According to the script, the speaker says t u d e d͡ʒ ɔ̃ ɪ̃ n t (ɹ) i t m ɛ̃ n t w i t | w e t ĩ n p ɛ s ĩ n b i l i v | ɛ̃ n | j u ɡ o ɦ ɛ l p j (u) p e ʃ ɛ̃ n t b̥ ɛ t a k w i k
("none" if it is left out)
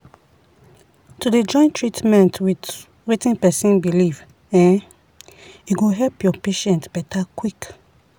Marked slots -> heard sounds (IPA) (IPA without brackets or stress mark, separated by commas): ɹ, ɔ